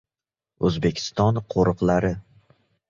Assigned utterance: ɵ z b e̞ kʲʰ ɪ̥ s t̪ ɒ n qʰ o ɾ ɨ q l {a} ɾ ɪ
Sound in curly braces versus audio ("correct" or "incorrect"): correct